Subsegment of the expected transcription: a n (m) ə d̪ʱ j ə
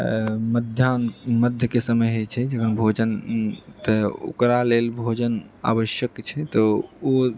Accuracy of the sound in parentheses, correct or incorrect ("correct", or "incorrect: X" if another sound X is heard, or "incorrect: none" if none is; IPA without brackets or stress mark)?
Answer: correct